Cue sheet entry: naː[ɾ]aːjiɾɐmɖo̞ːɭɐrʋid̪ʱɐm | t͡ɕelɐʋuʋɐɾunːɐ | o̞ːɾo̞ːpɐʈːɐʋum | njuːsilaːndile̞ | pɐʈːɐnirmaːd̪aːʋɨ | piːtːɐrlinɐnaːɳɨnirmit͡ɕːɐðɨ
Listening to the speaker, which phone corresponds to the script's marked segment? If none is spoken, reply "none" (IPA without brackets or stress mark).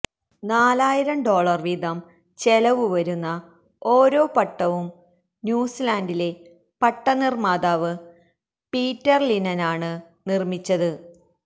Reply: l